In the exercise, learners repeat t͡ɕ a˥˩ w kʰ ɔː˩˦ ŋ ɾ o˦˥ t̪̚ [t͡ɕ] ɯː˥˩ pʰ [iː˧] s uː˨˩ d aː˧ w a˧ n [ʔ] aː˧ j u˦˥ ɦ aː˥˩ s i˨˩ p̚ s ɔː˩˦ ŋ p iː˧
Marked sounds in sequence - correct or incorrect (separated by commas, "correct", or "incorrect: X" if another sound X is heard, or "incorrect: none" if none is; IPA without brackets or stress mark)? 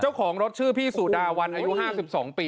incorrect: t͡ɕʰ, incorrect: iː˥˩, correct